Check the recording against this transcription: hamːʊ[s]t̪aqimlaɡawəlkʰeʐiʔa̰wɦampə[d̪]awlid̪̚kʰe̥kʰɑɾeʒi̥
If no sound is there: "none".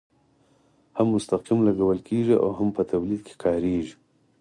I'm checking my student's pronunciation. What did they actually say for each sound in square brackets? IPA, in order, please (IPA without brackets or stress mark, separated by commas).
s, t̪